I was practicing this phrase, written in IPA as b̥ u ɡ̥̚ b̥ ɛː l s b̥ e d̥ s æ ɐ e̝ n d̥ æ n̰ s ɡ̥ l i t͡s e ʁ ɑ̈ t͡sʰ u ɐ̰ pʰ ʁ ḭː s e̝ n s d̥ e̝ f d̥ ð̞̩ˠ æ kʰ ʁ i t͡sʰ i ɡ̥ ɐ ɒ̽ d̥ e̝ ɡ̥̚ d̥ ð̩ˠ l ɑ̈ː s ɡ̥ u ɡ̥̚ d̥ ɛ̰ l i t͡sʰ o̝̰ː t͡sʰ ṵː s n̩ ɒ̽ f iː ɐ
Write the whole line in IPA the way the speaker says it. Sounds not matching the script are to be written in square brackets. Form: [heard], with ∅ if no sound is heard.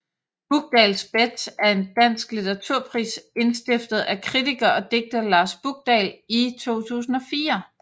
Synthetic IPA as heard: b̥ u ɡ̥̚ [d̥] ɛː l s b̥ e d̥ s æ ɐ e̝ n d̥ æ n̰ s ɡ̥ l i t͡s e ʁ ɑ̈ t͡sʰ u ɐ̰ pʰ ʁ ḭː s e̝ n s d̥ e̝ f d̥ ð̞̩ˠ æ kʰ ʁ i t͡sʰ i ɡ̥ ɐ ɒ̽ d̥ e̝ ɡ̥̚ d̥ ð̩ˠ l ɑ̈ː s [b̥] u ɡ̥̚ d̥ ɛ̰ l i t͡sʰ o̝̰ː t͡sʰ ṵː s n̩ ɒ̽ f iː ɐ